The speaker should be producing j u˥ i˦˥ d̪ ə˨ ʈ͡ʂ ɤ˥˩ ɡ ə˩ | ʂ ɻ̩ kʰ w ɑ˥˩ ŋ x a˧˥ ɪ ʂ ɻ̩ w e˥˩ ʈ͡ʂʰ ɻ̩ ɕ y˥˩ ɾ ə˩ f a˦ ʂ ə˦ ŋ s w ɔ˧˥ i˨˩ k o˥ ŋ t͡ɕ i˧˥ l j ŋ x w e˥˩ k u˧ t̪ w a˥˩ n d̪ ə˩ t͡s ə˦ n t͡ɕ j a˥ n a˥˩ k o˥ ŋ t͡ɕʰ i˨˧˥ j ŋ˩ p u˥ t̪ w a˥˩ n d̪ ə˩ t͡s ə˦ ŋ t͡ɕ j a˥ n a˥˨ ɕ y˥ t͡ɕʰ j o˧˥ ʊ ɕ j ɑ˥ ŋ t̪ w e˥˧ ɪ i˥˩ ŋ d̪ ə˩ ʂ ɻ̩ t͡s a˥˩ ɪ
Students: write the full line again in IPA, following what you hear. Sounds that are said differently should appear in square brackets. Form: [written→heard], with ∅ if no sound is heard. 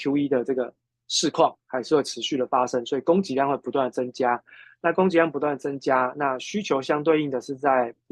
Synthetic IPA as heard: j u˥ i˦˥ d̪ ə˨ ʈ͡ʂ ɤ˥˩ ɡ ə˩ | ʂ ɻ̩ kʰ w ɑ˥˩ ŋ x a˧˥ ɪ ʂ ɻ̩ w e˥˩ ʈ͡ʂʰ ɻ̩ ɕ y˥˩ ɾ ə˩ f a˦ ʂ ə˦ ŋ s w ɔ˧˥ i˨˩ k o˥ ŋ t͡ɕ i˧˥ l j ŋ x w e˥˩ [k→p] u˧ t̪ w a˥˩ n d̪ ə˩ t͡s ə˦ [n→ŋ] t͡ɕ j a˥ n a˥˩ k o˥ ŋ [t͡ɕʰ→t͡ɕ] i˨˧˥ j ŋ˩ p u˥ t̪ w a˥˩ n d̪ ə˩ t͡s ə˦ ŋ t͡ɕ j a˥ n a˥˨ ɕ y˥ t͡ɕʰ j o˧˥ ʊ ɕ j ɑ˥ ŋ t̪ w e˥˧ ɪ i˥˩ ŋ d̪ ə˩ ʂ ɻ̩ t͡s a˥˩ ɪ